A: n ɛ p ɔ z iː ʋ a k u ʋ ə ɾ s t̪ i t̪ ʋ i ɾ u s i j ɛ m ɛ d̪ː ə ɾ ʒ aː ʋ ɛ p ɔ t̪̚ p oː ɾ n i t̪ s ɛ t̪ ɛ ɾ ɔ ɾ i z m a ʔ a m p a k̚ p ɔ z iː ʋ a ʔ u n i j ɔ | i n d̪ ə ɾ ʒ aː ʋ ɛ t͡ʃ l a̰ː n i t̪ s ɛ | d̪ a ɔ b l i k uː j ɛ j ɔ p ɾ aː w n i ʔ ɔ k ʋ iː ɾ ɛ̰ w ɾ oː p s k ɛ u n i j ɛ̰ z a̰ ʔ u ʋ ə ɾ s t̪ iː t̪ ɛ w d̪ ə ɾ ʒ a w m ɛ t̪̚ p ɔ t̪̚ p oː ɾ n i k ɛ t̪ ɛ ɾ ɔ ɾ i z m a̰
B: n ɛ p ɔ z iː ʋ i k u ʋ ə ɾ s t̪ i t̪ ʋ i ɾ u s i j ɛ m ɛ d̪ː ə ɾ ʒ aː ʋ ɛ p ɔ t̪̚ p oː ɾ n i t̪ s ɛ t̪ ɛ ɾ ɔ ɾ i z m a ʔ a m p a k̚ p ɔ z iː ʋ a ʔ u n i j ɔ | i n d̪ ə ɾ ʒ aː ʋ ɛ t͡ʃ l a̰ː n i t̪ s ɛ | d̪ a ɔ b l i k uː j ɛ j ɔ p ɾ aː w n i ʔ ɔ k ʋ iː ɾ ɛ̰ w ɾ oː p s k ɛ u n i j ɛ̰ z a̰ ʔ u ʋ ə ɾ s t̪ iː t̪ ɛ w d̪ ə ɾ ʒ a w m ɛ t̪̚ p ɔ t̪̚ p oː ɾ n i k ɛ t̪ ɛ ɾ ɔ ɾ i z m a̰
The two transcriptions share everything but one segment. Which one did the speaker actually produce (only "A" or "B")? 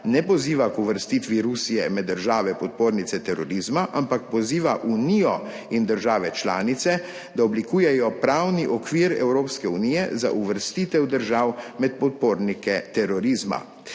A